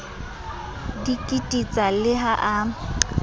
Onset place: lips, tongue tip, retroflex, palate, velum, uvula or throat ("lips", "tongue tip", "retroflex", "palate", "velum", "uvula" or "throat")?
tongue tip